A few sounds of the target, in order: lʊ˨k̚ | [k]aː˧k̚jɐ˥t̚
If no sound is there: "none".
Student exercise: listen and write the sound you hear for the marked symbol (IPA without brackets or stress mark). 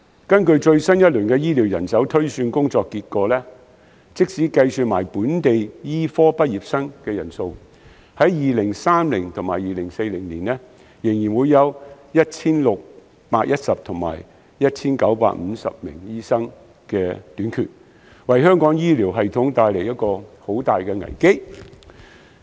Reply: p